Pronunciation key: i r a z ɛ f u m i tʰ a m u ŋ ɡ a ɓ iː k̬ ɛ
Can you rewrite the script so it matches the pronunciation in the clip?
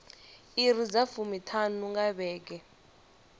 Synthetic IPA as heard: i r i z a f u m i tʰ a n u ŋ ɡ a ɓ ɛː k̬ ɛ